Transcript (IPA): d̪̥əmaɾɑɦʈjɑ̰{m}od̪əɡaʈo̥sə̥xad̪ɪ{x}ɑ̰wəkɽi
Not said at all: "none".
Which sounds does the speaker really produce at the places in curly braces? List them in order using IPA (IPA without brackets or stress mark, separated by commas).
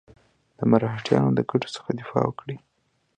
n, f